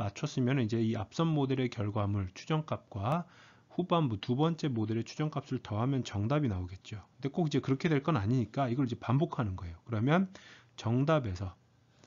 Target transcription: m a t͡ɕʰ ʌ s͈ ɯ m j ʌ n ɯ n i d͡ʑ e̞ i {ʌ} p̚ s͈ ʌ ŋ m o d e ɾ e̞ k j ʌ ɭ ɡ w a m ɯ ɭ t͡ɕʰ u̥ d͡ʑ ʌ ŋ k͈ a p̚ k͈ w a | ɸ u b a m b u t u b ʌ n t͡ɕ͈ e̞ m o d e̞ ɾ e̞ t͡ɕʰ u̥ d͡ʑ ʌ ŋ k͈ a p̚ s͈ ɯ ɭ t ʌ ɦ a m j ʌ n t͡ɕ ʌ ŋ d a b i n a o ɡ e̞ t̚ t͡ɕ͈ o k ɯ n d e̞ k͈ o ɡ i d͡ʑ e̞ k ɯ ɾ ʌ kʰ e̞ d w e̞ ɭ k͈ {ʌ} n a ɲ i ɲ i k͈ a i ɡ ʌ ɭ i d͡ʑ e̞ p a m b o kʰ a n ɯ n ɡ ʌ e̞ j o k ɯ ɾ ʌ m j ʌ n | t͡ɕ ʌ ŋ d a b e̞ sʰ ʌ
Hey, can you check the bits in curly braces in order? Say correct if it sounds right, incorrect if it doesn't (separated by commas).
incorrect, correct